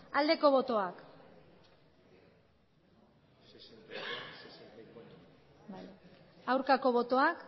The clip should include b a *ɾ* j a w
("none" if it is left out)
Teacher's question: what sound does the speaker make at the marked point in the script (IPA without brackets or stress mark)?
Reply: none